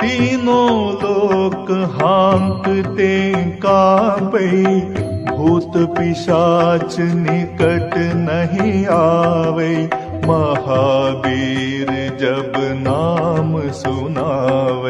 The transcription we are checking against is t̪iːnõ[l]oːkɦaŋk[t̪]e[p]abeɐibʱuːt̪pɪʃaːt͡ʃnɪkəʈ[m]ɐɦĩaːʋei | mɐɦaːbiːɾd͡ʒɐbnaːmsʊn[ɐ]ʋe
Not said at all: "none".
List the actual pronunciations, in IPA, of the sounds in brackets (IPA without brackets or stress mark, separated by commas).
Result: l, t̪, k, n, a